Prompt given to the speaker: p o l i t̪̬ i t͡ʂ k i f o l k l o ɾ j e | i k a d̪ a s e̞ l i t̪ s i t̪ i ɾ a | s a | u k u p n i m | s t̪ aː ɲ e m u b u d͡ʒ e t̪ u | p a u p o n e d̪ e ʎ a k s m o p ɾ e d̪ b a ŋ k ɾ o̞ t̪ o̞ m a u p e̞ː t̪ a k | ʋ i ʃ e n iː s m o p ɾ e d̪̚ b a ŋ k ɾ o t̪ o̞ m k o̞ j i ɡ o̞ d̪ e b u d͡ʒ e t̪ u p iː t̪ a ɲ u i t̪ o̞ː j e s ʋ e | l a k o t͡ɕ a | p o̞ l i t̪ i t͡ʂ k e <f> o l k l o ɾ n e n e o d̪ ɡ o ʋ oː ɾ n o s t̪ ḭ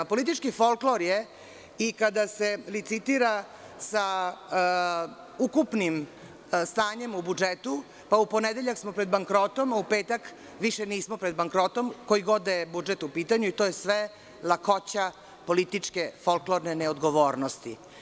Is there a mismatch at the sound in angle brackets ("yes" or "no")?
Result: no